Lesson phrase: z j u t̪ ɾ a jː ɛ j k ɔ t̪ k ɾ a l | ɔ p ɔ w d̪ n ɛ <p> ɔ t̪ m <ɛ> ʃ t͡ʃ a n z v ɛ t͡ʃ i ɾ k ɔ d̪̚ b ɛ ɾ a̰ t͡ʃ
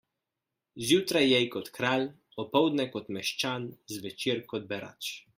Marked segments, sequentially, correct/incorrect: incorrect: k, correct

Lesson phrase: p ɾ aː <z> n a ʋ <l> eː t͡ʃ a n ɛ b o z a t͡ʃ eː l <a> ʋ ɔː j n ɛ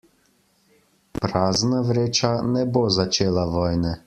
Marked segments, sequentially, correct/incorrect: correct, incorrect: ɾ, correct

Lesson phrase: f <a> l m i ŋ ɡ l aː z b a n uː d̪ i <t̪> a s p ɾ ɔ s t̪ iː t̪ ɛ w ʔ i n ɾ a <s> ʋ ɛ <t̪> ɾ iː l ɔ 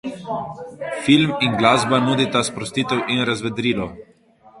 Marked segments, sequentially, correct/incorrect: incorrect: i, correct, incorrect: z, incorrect: d̪

